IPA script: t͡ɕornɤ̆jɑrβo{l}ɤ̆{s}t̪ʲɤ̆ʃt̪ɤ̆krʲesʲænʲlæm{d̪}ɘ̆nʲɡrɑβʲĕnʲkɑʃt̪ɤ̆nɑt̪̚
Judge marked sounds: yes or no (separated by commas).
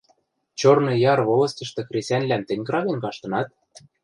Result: yes, yes, no